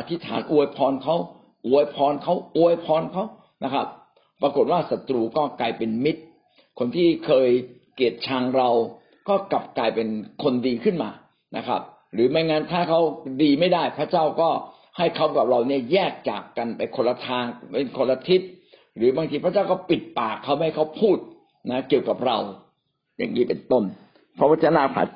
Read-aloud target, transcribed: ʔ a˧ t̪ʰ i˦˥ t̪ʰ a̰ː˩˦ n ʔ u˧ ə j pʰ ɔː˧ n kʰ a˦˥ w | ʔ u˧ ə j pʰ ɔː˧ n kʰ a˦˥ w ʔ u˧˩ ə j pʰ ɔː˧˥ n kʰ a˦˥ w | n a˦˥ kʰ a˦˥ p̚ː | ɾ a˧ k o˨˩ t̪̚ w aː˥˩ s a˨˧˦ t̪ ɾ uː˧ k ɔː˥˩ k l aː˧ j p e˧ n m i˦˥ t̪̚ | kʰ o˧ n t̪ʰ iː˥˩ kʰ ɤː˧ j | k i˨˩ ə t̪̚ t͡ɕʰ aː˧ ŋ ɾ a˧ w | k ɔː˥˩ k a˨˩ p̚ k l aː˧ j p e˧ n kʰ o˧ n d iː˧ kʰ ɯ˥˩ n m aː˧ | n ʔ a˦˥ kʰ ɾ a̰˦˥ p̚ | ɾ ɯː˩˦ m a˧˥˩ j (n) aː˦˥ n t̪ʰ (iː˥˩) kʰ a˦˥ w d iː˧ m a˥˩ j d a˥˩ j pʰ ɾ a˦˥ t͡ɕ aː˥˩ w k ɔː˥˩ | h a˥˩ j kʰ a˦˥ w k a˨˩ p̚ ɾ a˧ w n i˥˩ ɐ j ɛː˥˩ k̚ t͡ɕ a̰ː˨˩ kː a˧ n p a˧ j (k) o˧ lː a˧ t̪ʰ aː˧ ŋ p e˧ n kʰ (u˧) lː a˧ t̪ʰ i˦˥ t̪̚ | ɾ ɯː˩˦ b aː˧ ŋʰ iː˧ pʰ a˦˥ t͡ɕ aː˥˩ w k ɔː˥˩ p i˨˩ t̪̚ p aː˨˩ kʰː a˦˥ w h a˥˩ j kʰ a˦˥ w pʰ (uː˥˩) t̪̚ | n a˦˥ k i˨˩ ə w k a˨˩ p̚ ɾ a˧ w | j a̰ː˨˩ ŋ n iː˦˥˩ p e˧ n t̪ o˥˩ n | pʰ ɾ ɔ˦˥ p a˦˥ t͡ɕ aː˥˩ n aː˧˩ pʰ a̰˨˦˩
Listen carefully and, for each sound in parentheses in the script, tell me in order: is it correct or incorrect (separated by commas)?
incorrect, incorrect, incorrect, incorrect, correct